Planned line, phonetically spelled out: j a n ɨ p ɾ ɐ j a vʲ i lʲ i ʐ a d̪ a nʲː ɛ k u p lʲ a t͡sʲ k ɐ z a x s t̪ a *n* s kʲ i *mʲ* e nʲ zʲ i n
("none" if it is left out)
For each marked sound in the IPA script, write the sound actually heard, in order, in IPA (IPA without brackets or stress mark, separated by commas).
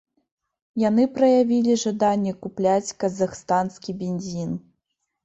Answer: n, bʲ